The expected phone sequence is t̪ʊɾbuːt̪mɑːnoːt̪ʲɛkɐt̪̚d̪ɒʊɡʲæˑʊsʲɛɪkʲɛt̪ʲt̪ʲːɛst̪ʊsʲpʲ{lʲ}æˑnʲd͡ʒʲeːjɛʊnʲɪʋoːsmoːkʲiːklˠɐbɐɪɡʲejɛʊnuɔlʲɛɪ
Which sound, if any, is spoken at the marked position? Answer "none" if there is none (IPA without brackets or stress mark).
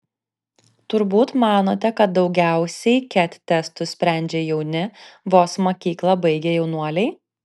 ɾʲ